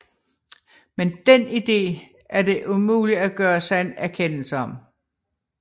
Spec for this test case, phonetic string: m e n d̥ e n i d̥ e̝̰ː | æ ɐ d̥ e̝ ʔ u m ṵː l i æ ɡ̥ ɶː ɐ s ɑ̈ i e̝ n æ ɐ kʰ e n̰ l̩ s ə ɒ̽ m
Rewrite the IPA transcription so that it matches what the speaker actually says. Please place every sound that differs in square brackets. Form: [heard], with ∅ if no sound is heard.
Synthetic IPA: m e n d̥ e n i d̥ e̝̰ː | æ ɐ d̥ e̝ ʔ u m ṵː l i æ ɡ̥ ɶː ɐ s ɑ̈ [ɪ] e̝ n æ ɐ kʰ e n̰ l̩ s ə ɒ̽ m